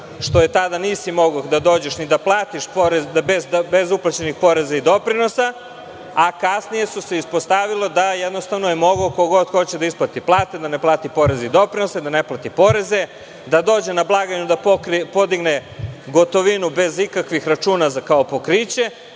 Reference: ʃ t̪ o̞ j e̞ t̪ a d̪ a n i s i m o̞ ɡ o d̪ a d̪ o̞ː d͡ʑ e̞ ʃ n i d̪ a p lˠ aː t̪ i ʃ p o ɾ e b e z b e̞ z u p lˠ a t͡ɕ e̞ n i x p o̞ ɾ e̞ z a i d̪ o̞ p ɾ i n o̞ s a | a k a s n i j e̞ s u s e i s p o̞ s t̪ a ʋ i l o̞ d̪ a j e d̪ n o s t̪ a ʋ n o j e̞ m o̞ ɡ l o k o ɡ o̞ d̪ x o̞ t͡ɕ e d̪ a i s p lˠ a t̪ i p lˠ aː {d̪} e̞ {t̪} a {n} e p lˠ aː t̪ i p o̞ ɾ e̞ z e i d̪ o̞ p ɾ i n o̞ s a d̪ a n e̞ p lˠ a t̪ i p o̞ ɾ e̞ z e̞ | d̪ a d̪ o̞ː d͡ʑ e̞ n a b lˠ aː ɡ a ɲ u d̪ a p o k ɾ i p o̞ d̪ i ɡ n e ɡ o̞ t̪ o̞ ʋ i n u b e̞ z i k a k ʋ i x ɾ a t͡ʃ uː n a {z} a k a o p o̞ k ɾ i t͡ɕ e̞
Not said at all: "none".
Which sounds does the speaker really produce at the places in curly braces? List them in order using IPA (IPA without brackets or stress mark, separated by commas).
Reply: t̪, d̪, n, z